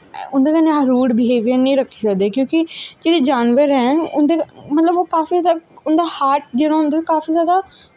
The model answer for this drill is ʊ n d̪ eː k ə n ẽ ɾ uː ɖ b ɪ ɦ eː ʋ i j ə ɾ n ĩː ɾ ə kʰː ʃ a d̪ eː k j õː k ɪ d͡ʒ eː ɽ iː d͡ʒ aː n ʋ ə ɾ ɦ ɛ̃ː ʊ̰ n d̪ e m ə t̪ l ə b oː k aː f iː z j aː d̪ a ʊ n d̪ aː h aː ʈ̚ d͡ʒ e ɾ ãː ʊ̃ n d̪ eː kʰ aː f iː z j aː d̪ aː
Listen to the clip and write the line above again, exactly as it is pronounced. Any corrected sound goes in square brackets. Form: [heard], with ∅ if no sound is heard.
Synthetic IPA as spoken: ʊ n d̪ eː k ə n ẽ ɾ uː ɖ b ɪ ɦ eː ʋ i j ə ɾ n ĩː ɾ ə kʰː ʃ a d̪ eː k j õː k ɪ d͡ʒ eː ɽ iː d͡ʒ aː n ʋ ə ɾ ɦ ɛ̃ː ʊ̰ n d̪ e m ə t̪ l ə b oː k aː f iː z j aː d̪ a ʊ n d̪ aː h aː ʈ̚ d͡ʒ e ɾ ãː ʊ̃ n d̪ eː [k] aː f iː z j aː d̪ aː

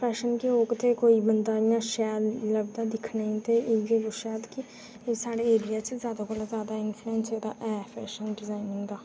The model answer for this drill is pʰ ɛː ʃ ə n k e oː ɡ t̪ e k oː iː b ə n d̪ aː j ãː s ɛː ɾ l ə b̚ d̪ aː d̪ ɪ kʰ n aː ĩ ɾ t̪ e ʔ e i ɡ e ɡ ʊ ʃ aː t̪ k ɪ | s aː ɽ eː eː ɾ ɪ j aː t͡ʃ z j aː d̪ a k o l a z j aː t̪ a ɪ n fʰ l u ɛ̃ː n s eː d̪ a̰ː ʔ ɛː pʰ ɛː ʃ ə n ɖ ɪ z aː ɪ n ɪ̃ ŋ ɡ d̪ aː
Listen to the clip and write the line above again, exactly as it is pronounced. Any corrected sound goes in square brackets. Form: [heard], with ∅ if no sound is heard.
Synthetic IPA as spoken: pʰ ɛː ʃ ə n k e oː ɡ t̪ e k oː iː b ə n d̪ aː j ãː [ʃ] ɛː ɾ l ə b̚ d̪ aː d̪ ɪ kʰ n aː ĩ [∅] t̪ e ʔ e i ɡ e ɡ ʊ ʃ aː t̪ k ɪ | s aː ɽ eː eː ɾ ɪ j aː t͡ʃ z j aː d̪ a k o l a z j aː [d̪] a ɪ n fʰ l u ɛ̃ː n s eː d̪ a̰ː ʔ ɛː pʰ ɛː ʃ ə n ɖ ɪ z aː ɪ n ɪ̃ ŋ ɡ d̪ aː

